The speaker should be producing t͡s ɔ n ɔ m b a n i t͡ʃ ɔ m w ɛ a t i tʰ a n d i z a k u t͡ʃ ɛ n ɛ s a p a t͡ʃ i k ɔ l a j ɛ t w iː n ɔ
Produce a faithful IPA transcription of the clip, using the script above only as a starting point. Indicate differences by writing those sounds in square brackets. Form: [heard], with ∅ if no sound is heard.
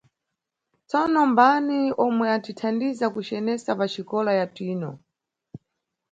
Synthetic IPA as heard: t͡s ɔ n ɔ m b a n i [∅] ɔ m w ɛ a t i tʰ a n d i z a k u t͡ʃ ɛ n ɛ s a p a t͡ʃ i k ɔ l a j [a] t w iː n ɔ